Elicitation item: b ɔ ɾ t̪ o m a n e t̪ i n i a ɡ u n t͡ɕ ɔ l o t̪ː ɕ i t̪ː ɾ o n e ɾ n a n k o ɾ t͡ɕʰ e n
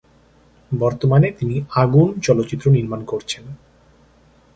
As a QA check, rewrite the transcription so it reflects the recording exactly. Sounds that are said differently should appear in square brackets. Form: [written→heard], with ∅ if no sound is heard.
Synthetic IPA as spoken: b ɔ ɾ t̪ o m a n e t̪ i n i a ɡ u n t͡ɕ ɔ l o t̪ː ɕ i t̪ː ɾ o n [e→i] ɾ [n→m] a n k o ɾ t͡ɕʰ e n